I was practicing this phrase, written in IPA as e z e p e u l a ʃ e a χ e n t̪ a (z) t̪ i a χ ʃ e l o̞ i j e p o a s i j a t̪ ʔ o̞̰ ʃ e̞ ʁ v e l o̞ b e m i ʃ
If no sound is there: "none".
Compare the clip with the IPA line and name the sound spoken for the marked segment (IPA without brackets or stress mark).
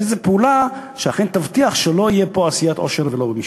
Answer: v